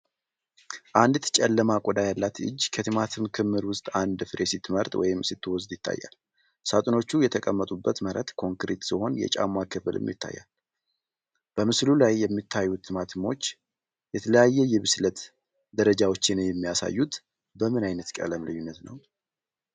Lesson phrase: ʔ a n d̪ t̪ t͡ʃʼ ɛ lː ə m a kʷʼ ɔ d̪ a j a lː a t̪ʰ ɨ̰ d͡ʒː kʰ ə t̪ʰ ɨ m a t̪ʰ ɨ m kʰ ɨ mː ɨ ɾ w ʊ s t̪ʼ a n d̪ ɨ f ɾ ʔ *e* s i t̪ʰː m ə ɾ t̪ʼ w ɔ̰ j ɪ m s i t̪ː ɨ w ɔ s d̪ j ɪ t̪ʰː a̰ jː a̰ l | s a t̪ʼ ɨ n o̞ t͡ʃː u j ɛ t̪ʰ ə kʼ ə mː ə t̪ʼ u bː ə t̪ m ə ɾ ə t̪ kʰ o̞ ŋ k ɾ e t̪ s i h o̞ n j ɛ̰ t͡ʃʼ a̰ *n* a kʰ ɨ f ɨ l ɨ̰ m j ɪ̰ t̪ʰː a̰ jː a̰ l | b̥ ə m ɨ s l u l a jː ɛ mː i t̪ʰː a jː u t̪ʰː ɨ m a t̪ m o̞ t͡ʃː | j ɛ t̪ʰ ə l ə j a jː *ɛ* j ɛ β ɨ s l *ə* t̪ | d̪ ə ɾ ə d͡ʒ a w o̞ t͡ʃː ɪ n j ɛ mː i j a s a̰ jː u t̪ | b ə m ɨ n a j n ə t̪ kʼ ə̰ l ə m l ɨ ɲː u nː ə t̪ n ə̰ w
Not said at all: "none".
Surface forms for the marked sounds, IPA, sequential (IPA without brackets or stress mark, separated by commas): e, m, ɛ, ə